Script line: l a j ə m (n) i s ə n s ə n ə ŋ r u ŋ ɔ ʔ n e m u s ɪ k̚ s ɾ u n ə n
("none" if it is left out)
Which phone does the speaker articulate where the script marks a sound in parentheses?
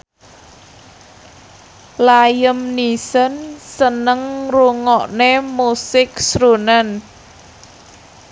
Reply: n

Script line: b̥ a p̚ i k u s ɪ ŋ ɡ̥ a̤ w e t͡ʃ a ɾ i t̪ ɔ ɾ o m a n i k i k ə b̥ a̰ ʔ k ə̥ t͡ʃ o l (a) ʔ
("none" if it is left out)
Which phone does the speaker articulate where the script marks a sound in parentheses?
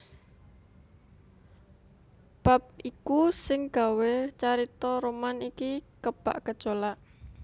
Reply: a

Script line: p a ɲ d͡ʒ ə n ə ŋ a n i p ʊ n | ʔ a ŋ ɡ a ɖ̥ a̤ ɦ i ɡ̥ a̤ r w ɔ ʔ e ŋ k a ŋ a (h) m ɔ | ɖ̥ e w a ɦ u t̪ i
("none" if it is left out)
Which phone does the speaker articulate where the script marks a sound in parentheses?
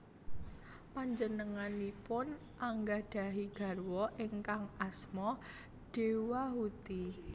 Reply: s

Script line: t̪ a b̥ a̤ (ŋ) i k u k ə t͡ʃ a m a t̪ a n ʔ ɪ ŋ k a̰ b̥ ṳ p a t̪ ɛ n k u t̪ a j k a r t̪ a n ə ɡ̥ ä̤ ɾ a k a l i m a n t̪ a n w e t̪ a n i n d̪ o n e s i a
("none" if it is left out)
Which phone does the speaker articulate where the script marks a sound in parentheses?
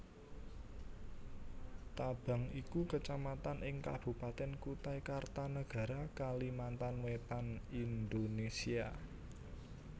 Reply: ŋ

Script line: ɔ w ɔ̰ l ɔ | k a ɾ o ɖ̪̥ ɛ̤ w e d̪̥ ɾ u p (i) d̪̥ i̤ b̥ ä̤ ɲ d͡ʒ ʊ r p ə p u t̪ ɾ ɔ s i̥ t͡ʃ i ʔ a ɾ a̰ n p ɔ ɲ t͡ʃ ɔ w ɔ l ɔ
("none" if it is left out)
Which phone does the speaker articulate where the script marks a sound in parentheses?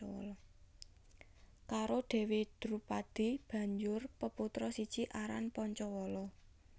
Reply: a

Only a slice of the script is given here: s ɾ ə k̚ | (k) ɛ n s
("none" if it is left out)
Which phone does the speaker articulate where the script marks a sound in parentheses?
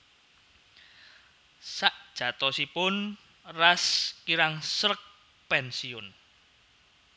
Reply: p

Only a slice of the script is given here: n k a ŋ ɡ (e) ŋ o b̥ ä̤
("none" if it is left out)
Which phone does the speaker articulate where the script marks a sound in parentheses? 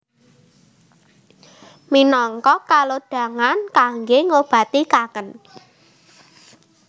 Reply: e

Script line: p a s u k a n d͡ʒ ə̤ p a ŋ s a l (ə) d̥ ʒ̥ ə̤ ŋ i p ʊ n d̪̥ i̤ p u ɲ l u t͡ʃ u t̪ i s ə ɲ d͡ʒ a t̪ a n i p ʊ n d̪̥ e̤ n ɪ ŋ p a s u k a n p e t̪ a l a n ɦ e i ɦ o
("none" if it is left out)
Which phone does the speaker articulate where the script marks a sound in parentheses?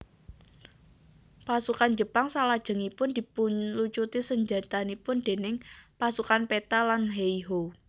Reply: a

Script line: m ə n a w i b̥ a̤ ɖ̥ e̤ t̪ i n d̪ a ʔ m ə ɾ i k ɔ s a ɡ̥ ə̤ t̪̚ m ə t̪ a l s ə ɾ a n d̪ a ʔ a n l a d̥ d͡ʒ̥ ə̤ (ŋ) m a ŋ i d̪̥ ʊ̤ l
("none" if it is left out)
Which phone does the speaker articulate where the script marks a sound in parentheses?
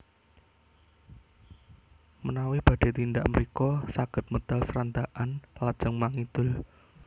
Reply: ŋ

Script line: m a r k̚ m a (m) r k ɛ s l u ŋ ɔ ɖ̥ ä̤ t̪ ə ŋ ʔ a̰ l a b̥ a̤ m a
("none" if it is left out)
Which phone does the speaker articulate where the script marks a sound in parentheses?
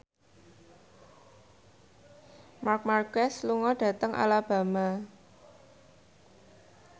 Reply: none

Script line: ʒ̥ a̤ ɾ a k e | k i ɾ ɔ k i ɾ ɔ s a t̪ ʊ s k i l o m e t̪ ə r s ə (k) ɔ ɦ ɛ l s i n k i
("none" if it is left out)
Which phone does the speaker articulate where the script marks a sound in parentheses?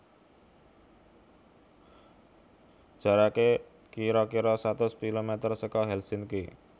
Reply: k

